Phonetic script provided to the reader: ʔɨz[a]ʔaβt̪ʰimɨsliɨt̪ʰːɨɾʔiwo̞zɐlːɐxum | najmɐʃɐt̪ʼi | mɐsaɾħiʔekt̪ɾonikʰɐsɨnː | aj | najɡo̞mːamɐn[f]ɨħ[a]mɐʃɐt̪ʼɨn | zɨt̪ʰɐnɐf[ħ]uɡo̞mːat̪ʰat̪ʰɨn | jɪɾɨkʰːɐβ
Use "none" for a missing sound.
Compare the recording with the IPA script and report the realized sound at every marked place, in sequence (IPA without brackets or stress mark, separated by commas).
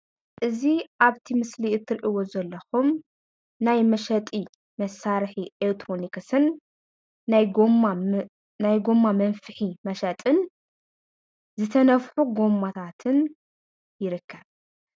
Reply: i, f, i, ħ